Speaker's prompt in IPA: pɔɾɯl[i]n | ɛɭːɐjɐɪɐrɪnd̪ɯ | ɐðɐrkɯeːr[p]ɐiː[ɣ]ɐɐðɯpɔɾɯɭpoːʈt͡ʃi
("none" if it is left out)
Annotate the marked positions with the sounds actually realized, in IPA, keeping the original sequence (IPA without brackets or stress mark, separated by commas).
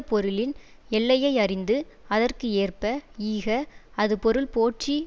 ɪ, p, ɣ